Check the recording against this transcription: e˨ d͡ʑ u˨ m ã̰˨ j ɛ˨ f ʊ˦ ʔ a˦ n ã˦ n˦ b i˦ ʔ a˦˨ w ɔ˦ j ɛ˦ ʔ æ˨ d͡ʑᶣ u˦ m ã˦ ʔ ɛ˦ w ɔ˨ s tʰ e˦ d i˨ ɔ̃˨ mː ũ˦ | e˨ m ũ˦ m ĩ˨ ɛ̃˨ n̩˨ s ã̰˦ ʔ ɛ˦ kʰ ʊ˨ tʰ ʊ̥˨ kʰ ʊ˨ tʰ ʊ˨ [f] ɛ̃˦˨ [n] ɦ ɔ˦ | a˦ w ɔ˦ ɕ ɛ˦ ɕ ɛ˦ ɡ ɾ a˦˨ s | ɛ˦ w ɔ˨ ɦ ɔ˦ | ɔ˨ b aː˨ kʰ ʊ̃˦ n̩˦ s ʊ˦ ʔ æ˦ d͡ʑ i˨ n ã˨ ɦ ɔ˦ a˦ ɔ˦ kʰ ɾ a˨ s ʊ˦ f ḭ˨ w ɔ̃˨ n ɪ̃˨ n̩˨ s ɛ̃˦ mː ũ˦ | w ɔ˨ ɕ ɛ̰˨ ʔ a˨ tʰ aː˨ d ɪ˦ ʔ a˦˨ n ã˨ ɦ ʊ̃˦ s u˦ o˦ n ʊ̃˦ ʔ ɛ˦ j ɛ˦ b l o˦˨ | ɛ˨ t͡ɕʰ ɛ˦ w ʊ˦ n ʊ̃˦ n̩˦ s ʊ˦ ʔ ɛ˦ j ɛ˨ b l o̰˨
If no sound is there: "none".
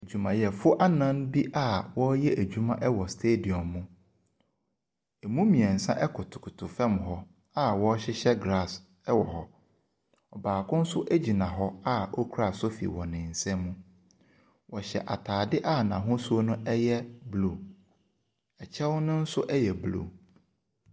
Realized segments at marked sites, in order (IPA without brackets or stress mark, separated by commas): f, m